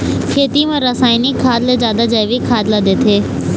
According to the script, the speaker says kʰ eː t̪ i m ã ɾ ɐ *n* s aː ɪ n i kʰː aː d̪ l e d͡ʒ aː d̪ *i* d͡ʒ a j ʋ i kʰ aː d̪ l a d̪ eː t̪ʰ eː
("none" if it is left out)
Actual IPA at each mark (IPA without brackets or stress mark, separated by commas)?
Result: none, a